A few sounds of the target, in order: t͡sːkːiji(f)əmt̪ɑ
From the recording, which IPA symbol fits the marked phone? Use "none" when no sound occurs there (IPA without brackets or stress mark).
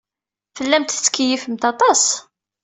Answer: f